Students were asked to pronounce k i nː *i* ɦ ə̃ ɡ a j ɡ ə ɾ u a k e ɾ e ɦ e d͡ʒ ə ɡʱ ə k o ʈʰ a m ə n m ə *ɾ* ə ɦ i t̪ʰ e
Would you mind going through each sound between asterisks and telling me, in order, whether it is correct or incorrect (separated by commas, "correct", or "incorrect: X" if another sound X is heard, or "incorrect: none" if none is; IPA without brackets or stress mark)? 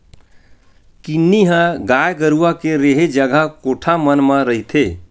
correct, correct